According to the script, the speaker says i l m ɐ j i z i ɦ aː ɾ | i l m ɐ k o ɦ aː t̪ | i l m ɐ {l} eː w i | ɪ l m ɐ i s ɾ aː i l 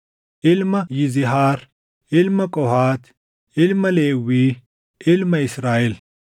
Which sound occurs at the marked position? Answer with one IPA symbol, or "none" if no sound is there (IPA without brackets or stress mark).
l